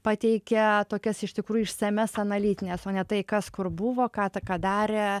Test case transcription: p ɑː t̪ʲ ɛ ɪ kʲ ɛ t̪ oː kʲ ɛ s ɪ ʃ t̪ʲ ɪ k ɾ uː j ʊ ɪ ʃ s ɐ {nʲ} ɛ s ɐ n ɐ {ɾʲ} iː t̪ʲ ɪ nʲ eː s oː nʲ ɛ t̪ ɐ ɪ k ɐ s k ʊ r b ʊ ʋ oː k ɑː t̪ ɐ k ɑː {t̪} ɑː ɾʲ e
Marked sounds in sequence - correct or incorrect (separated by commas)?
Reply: incorrect, incorrect, incorrect